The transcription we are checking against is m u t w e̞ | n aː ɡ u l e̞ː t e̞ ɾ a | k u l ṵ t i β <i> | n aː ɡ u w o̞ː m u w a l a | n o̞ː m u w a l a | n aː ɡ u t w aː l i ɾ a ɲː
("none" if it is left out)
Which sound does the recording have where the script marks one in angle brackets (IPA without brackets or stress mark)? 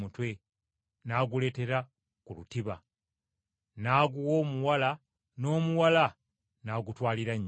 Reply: a